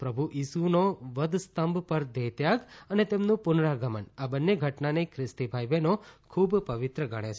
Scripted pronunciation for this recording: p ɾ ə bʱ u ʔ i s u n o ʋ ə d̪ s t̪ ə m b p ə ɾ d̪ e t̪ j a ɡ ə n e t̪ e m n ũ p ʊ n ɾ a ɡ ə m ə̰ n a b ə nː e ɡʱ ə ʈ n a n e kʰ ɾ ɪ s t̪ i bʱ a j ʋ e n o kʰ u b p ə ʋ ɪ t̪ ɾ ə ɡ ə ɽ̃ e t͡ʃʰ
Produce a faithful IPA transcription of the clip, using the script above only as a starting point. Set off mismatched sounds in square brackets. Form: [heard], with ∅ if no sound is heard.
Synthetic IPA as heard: p ɾ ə bʱ u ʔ i s u n o ʋ ə d̪ s t̪ ə m b p ə ɾ d̪ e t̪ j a ɡ ə n e t̪ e m n ũ p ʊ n ɾ a ɡ ə m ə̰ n a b ə nː e ɡʱ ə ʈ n a n e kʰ ɾ ɪ s t̪ i bʱ a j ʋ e n o kʰ u b p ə ʋ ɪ t̪ ɾ ə ɡ ə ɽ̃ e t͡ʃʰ